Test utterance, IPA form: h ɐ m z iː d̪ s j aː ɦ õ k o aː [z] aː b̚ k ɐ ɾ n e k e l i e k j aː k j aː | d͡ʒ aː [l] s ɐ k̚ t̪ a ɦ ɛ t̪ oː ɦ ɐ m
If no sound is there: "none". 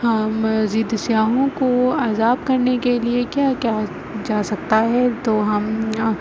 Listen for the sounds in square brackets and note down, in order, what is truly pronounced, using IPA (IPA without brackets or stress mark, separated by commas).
z, none